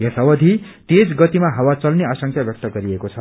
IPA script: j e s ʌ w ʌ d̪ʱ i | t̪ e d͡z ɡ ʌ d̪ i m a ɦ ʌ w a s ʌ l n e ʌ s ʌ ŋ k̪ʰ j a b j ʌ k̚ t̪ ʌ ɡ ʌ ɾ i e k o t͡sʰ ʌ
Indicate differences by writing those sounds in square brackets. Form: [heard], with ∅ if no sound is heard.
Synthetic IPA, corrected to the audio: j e s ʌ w ʌ d̪ʱ i | t̪ e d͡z ɡ ʌ [t̪] i m a ɦ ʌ w a [t͡s] ʌ l n e [a] s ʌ ŋ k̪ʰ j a b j ʌ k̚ t̪ ʌ ɡ ʌ ɾ i e k o t͡sʰ ʌ

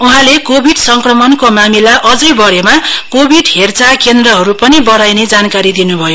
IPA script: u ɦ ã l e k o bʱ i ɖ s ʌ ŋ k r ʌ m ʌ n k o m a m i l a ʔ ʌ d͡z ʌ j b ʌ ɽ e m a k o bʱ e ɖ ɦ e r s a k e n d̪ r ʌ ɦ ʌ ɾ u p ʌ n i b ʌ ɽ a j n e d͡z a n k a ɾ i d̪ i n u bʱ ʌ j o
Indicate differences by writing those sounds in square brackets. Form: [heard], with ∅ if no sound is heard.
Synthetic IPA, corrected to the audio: u ɦ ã l e k o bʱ i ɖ s ʌ ŋ k r ʌ m ʌ n k o m a m i l a ʔ ʌ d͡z ʌ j b ʌ ɽ e m a k o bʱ [i] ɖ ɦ e r [t͡s] a k e n d̪ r ʌ ɦ ʌ ɾ u p ʌ n i b ʌ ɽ a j n e d͡z a n k a ɾ i d̪ i n u bʱ ʌ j o

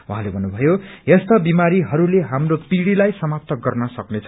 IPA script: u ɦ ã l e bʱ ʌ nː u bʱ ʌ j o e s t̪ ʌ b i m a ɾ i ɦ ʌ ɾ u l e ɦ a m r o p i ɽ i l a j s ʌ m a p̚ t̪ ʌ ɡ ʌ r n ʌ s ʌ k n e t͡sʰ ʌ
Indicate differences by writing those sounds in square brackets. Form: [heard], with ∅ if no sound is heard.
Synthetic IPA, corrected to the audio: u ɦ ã l e bʱ ʌ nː u bʱ ʌ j o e s t̪ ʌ b i m a ɾ i ɦ ʌ ɾ u l e ɦ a m r o p i ɽ i l a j s ʌ m a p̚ t̪ ʌ ɡ ʌ r n ʌ s ʌ k n e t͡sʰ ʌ

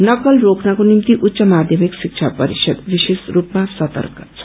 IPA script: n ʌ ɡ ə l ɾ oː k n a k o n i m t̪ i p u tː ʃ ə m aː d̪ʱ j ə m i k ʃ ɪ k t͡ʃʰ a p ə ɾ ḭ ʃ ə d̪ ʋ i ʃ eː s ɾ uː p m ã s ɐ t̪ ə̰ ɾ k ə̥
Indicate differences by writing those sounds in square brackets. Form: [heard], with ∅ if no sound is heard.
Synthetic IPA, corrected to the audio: n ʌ [k] ə l ɾ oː k n a k o n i m t̪ i [ʔ] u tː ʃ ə m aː d̪ʱ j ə m i k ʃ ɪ k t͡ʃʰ a p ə ɾ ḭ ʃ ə d̪ ʋ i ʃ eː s ɾ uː p m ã s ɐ t̪ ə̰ ɾ k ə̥

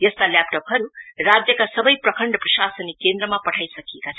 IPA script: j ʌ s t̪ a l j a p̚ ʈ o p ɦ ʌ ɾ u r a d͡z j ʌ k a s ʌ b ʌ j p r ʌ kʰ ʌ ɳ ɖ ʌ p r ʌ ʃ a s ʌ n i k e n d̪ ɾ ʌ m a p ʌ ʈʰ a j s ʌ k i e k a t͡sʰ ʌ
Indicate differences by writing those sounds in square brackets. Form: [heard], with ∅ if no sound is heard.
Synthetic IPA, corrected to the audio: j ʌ s t̪ a l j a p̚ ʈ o p ɦ ʌ ɾ u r a d͡z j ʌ k a s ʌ b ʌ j p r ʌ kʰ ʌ ɳ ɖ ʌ p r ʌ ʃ a s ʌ n i k e n d̪ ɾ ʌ m a p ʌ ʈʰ a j s ʌ k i e k a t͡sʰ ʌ

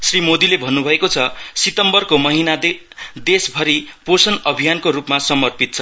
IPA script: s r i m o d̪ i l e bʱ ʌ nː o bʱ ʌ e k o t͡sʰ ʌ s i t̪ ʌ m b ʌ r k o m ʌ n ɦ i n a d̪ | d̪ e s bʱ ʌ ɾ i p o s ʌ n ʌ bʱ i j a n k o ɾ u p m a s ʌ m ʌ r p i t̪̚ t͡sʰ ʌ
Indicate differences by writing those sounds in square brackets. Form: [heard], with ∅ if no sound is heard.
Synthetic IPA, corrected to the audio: s r i m o d̪ i l e bʱ ʌ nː [u] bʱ ʌ e k o t͡sʰ ʌ s i t̪ ʌ m b ʌ r k o m ʌ [∅] ɦ i n a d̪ | d̪ e s bʱ ʌ ɾ i p o s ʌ n ʌ bʱ i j a n k o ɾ u p m a s ʌ m ʌ r p i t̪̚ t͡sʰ ʌ

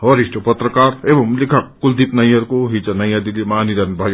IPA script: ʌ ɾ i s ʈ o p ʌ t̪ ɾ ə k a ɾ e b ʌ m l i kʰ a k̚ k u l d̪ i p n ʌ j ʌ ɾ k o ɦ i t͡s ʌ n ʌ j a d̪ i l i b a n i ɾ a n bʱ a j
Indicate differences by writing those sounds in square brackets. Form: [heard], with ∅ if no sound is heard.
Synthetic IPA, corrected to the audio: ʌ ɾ i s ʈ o p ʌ t̪ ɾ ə k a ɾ e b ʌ m l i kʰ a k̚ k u l d̪ i p n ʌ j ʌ ɾ k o ɦ i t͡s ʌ n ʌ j a d̪ i l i [m] a n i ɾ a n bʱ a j

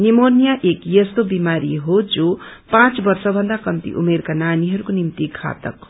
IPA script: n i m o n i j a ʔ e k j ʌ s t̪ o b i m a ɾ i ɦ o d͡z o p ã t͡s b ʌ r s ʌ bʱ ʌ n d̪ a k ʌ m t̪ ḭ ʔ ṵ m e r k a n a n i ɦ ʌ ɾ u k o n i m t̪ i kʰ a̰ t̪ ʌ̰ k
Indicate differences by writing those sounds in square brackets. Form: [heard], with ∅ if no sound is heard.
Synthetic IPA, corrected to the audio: n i m o n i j a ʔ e k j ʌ s t̪ o b i m a ɾ i ɦ o d͡z o p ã t͡s b ʌ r s ʌ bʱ ʌ n d̪ a k ʌ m t̪ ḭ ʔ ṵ m e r k a n a n i ɦ ʌ ɾ u k o n i m t̪ i kʰ a̰ t̪ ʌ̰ k

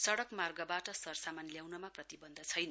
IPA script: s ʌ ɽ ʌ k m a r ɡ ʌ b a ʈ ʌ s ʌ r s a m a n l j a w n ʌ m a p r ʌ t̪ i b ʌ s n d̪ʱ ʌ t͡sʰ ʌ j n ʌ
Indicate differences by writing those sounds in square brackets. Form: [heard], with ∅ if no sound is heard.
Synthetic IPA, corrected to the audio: s ʌ ɽ ʌ k m a r ɡ ʌ b a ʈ ʌ s ʌ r s a m a n l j a w n ʌ m a p r ʌ t̪ i b ʌ [∅] n d̪ʱ ʌ t͡sʰ ʌ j n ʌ

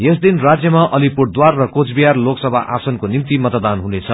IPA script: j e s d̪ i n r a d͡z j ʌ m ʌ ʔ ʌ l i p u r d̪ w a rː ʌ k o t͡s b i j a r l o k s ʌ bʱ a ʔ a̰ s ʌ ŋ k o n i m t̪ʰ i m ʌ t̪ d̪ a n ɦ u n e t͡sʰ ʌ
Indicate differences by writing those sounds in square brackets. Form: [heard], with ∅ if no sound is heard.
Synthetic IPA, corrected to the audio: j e s d̪ i n r a d͡z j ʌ m [a] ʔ ʌ l i p u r d̪ w a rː ʌ k o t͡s b i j a r l o k s ʌ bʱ a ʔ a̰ s ʌ [n] k o n i m [t̪] i m ʌ t̪ d̪ a n ɦ u n e t͡sʰ ʌ

